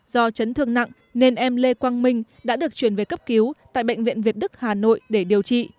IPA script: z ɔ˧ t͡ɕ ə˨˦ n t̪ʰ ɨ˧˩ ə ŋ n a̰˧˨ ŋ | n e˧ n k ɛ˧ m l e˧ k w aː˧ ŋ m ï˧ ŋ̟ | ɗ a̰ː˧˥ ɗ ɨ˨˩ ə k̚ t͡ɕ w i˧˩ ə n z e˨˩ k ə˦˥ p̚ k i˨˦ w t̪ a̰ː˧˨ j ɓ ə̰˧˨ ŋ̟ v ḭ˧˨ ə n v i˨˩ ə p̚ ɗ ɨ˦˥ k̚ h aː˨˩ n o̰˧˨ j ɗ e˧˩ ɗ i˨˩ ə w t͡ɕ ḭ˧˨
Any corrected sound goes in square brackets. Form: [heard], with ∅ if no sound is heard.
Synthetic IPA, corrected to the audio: z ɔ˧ t͡ɕ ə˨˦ n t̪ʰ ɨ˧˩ ə ŋ n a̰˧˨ ŋ | n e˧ n [ʔ] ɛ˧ m l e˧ k w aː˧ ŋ m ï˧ ŋ̟ | ɗ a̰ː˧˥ ɗ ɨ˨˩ ə k̚ t͡ɕ w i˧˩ ə n [v] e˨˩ k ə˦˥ p̚ k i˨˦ w t̪ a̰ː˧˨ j ɓ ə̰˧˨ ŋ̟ v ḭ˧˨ ə n v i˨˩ ə [t̚] ɗ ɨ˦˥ k̚ h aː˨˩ n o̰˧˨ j ɗ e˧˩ ɗ i˨˩ ə w t͡ɕ ḭ˧˨